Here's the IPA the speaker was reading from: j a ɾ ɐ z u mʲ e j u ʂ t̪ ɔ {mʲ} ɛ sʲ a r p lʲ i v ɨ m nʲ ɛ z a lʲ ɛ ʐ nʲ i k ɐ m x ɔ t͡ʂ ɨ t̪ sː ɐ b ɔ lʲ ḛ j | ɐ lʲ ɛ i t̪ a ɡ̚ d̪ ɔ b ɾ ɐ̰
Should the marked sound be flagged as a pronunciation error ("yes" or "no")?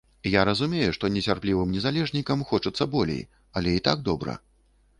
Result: yes